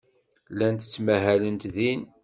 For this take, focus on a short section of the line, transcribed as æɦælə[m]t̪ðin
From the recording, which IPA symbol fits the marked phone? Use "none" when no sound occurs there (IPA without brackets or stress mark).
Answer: n